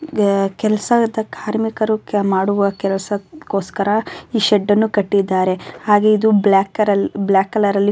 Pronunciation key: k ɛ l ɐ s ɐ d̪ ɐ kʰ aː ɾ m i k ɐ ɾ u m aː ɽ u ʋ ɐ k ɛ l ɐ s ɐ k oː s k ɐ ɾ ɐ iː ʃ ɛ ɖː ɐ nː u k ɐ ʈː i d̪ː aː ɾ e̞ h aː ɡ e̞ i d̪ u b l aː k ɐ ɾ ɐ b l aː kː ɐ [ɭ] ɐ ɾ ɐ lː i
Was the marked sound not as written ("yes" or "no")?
yes